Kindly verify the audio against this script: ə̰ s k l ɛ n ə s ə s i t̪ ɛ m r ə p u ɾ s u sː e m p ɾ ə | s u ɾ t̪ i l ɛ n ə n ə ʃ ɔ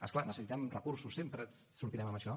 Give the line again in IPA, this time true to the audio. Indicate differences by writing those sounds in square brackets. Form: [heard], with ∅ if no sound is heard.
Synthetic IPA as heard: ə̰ s k l [a] n ə s ə s i t̪ ɛ m r ə [k] u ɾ s u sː e m p ɾ ə | s u ɾ t̪ i [ɾ] ɛ [m] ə [m] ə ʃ ɔ